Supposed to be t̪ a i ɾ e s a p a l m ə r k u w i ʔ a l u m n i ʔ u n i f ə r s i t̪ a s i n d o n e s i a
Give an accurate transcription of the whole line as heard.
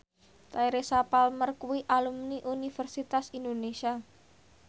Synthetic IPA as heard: t̪ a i ɾ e s a p a l m ə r k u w i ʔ a l u m n i ʔ u n i f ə r s i t̪ a s i n d o n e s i a